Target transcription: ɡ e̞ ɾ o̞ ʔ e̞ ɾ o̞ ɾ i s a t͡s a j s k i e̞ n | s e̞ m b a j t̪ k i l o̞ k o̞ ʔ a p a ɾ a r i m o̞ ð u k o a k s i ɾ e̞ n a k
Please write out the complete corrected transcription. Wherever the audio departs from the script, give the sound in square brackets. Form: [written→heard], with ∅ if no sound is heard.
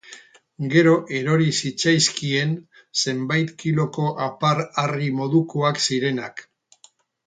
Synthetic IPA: ɡ e̞ ɾ o̞ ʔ e̞ ɾ o̞ ɾ i s [a→i] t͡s a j s k i e̞ n | s e̞ m b a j t̪ k i l o̞ k o̞ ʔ a p a ɾ a r i m o̞ ð u k o a k s i ɾ e̞ n a k